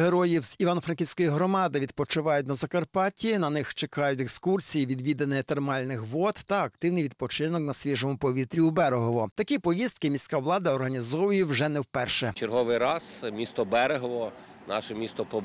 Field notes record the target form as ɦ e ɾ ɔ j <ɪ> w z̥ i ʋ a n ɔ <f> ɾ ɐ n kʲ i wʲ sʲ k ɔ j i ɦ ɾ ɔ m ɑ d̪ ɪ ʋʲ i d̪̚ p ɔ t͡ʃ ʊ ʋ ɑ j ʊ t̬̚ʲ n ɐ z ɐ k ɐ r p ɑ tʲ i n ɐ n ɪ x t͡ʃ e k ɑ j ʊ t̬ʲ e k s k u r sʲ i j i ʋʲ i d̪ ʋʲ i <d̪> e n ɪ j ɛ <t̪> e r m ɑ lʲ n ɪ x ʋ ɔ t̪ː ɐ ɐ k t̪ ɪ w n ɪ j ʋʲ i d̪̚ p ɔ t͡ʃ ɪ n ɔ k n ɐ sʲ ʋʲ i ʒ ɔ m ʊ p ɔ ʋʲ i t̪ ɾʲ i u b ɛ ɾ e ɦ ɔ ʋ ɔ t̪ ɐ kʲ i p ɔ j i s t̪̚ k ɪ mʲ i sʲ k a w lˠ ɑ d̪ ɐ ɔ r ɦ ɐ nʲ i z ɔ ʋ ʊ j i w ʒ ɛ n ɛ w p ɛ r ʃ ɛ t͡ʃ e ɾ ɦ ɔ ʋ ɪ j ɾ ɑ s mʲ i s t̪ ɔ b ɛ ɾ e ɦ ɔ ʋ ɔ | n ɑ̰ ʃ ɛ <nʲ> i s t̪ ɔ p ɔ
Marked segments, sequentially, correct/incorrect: incorrect, correct, correct, correct, incorrect

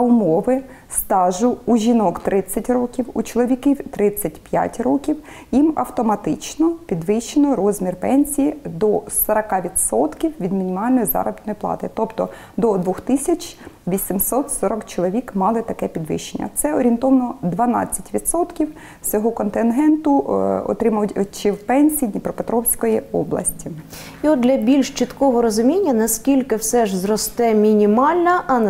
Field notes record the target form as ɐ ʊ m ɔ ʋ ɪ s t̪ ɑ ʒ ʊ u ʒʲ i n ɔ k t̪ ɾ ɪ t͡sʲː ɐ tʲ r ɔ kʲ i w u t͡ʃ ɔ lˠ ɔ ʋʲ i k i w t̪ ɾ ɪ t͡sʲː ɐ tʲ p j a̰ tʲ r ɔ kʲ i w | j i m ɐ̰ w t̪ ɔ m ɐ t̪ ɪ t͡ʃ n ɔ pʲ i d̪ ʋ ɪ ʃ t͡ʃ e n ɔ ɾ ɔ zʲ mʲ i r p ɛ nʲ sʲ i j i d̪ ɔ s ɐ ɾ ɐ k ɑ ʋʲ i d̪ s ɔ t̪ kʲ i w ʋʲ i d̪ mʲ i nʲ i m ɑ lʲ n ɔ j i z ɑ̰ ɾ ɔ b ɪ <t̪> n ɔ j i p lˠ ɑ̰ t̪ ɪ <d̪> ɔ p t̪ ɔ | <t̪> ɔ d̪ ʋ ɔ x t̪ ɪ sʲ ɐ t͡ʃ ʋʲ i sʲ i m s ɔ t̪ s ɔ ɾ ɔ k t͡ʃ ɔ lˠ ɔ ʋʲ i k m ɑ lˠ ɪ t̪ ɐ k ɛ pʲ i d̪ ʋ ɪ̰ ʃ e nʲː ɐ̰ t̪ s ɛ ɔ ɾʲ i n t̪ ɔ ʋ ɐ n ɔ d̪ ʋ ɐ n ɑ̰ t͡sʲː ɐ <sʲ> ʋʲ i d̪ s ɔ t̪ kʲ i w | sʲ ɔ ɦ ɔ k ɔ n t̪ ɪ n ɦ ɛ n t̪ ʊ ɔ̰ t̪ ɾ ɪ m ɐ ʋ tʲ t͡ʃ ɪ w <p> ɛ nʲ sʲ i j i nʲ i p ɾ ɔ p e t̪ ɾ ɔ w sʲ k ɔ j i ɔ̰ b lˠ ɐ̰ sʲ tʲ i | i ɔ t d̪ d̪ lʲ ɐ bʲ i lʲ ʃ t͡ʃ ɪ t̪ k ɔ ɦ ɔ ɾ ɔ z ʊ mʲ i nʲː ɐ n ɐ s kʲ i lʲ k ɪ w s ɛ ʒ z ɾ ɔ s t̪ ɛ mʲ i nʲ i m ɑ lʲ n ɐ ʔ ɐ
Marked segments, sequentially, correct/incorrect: correct, incorrect, incorrect, incorrect, correct

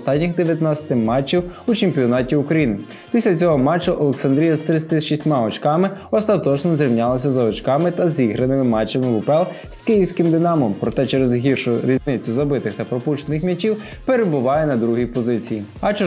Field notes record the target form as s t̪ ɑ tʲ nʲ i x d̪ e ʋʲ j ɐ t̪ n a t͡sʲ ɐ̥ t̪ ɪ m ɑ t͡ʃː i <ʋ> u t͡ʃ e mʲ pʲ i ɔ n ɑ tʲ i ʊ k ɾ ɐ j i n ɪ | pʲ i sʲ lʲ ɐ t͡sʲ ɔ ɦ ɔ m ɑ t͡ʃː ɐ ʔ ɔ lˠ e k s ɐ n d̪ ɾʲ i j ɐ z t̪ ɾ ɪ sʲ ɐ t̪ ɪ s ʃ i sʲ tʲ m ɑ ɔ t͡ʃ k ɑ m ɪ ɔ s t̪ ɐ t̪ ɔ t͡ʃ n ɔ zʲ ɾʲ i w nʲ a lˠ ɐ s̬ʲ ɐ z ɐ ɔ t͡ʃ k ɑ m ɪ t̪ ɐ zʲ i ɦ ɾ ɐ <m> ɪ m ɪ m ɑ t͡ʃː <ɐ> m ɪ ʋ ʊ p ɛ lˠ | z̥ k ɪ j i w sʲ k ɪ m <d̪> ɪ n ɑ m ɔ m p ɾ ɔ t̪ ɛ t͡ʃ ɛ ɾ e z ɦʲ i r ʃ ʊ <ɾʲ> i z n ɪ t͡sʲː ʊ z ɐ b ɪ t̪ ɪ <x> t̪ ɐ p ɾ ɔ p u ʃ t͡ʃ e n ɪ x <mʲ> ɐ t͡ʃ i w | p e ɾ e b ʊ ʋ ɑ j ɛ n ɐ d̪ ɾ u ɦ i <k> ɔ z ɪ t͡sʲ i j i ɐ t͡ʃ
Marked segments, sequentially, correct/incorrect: incorrect, incorrect, correct, correct, correct, correct, correct, incorrect

